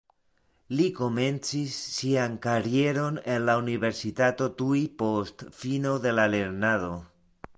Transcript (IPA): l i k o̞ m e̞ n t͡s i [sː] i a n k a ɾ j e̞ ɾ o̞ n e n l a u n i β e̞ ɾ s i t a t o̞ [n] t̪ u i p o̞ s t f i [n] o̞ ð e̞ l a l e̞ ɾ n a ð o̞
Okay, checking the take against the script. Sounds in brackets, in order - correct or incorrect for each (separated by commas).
correct, incorrect, correct